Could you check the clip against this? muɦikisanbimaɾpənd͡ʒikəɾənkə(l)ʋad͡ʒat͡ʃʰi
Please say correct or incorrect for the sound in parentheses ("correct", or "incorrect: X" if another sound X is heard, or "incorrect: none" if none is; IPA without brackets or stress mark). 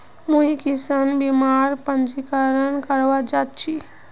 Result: incorrect: ɾ